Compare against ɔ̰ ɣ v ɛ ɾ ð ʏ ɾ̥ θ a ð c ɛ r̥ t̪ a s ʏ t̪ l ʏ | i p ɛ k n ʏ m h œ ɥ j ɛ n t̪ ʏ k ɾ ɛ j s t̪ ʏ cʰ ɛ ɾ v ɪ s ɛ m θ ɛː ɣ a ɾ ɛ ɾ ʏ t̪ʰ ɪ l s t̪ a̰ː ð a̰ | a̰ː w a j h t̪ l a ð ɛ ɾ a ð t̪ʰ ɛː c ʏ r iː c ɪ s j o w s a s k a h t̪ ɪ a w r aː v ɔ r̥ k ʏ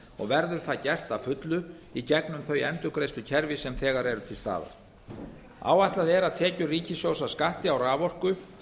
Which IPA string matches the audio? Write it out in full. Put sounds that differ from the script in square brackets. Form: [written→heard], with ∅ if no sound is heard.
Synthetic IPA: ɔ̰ ɣ v ɛ ɾ ð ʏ ɾ̥ θ a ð c ɛ r̥ t̪ a [s→f] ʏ t̪ l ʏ | i [p→c] ɛ k n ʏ m [h→θ] œ ɥ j ɛ n t̪ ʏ k ɾ [ɛ→e] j s t̪ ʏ cʰ ɛ ɾ v ɪ s ɛ m θ ɛː ɣ a ɾ ɛ ɾ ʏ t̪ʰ ɪ l s t̪ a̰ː ð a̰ | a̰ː w a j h t̪ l a ð ɛ ɾ a ð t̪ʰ ɛː c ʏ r iː c ɪ s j o w s a s k a h t̪ ɪ a w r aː v ɔ r̥ k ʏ